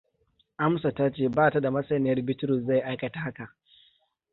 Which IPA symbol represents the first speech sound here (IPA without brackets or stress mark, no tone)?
ʔ